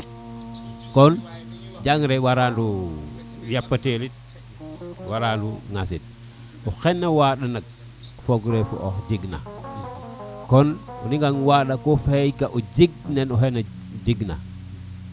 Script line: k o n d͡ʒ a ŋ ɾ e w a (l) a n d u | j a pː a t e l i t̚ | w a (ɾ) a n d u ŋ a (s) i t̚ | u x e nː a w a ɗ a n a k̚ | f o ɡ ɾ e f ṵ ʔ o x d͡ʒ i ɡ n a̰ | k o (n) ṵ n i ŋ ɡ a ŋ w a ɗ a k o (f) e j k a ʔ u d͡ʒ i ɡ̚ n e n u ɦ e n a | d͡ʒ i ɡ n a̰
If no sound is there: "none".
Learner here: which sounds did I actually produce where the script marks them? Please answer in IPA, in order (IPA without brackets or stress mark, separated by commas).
ɾ, ɾ, s, n, f